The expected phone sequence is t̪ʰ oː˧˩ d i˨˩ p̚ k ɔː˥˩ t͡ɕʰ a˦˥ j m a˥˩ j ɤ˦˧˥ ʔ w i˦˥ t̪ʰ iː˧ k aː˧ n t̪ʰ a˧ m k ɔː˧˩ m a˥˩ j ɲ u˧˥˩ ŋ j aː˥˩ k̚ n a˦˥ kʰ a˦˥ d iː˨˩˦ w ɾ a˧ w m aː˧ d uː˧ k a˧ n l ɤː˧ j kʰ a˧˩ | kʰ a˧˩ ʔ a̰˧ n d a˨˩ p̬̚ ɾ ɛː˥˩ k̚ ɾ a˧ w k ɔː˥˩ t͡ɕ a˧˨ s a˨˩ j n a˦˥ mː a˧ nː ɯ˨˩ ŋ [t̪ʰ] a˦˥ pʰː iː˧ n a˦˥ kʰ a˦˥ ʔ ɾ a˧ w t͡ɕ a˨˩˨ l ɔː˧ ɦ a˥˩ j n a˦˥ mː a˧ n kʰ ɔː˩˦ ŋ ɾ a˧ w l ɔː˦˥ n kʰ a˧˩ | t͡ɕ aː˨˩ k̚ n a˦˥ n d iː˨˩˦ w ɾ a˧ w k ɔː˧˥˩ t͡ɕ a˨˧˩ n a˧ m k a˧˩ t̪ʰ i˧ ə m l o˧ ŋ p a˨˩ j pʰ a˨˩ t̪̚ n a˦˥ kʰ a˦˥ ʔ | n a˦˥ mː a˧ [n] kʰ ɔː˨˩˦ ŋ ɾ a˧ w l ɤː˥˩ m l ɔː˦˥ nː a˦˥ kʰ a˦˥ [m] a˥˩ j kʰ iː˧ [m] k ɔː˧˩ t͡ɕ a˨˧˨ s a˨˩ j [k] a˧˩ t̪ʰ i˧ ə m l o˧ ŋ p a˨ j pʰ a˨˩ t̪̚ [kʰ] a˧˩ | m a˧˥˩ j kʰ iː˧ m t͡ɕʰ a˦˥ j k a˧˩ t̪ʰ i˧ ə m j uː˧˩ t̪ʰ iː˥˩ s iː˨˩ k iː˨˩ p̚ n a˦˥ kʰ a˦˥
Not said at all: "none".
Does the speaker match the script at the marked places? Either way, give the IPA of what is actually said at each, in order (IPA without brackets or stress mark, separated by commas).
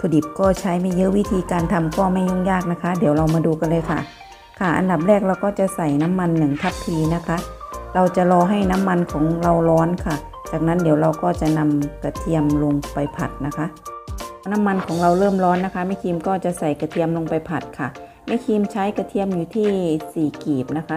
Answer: t̪ʰ, n, m, m, k, kʰ